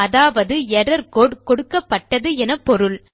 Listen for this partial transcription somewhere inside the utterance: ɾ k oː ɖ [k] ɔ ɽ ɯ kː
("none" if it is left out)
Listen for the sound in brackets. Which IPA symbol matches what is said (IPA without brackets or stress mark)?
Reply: k